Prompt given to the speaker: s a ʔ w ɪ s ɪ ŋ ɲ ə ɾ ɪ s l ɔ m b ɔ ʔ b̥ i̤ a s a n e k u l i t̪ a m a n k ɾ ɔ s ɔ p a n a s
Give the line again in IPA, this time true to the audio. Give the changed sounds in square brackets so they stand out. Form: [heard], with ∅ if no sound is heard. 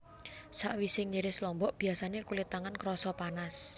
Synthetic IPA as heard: s a ʔ w [i] s ɪ ŋ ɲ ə ɾ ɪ s l ɔ m b ɔ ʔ b̥ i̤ a s a n e k u l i t̪ a [ŋ] a n k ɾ ɔ s ɔ p a n a s

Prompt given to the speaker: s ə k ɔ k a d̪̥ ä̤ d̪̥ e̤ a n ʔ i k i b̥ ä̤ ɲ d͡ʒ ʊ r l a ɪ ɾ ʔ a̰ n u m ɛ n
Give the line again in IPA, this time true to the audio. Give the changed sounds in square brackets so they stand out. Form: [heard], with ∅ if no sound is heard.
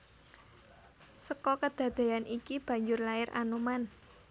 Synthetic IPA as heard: s ə k ɔ k [ə] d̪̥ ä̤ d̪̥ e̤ a n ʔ i k i b̥ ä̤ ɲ d͡ʒ ʊ r l a ɪ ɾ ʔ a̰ n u m [a] n

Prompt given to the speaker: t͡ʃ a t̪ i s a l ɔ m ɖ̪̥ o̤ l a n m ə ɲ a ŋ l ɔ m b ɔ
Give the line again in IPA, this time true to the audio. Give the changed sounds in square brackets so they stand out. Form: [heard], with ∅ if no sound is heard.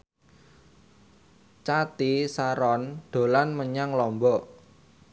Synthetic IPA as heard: t͡ʃ a t̪ i s a [ɾ] ɔ [n] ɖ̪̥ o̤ l a n m ə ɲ a ŋ l ɔ m b ɔ

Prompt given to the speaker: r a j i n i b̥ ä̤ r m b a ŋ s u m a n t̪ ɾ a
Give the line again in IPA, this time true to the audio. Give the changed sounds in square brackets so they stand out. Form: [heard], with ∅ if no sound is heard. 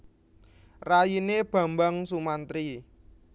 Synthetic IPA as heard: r a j i n [e] b̥ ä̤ [∅] m b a ŋ s u m a n t̪ ɾ [i]

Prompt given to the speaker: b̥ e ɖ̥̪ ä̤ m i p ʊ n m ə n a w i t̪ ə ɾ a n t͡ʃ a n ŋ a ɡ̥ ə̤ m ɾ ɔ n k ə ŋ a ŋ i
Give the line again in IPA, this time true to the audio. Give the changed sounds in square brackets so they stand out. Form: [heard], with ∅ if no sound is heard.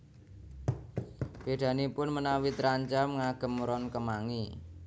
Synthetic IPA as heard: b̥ e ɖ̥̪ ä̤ [n] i p ʊ n m ə n a w i t̪ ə ɾ a [ɲ] t͡ʃ a [m] ŋ a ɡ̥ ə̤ m ɾ ɔ n k ə [m] a ŋ i

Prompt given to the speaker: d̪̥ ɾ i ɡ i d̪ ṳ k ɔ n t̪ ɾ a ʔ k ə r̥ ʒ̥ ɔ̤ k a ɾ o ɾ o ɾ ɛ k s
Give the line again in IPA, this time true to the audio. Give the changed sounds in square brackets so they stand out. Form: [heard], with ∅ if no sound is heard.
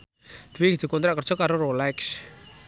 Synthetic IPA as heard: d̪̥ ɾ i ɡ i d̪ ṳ k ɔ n t̪ ɾ a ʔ k ə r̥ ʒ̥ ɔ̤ k a ɾ o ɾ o [l] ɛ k s

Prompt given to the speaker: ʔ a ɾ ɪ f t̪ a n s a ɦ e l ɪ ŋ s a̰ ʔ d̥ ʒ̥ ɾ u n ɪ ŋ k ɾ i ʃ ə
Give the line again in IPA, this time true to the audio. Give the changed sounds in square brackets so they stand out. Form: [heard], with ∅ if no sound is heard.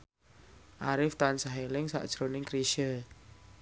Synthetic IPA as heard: ʔ a ɾ ɪ f t̪ a n s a ɦ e l ɪ ŋ s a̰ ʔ d̥ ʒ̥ ɾ [o] n ɪ ŋ k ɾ i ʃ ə

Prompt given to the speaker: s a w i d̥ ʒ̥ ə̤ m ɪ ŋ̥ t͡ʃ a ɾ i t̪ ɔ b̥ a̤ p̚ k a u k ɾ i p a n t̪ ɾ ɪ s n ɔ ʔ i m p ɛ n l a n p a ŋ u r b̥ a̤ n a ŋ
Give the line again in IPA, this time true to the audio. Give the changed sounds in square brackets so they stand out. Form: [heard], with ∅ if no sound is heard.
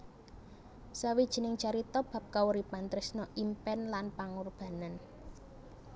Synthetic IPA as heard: s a w i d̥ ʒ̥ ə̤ [n] ɪ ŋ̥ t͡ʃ a ɾ i t̪ ɔ b̥ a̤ p̚ k a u [∅] ɾ i p a n t̪ ɾ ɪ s n ɔ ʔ i m p ɛ n l a n p a ŋ u r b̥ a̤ n a [n]

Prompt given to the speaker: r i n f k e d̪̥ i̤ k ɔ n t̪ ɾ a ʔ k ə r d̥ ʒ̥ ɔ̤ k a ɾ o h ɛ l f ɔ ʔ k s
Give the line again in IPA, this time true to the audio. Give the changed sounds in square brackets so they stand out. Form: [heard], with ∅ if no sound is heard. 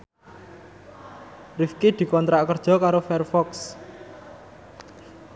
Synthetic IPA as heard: r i [∅] f k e d̪̥ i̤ k ɔ n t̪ ɾ a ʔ k ə r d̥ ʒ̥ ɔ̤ k a ɾ o [f] ɛ [r] f ɔ [∅] k s

